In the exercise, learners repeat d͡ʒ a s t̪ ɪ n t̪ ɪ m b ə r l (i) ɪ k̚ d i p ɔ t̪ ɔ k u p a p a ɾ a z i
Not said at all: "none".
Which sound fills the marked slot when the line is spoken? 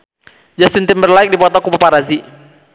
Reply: a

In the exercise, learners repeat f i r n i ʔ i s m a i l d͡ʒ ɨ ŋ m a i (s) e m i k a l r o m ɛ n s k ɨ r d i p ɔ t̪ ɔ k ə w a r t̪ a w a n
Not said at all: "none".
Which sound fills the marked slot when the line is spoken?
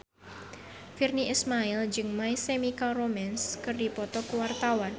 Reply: s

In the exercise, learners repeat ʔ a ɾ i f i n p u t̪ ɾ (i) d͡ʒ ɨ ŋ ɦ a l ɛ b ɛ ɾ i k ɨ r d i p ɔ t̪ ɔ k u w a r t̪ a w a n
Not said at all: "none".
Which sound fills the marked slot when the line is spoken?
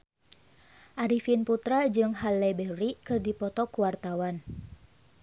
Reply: a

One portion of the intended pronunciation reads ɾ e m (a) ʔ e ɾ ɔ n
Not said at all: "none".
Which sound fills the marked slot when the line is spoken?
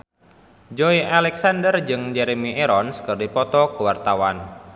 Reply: i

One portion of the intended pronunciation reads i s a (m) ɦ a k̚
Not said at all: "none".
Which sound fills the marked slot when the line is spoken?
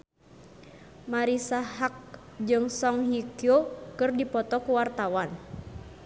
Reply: none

